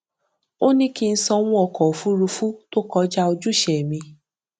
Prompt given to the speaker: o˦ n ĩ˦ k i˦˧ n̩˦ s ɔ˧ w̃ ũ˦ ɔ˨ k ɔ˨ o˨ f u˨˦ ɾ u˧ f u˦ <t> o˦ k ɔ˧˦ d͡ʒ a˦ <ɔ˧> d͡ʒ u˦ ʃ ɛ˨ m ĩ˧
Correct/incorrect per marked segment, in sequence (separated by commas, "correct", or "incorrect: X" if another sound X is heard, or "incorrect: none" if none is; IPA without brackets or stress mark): correct, incorrect: o˧